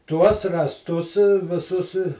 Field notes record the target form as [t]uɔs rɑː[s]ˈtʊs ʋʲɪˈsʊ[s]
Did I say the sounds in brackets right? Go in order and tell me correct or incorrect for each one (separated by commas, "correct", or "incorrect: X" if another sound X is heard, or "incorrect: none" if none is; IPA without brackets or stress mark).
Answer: correct, correct, correct